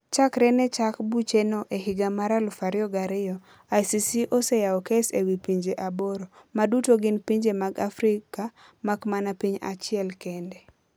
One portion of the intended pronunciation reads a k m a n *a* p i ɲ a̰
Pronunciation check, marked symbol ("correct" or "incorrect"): correct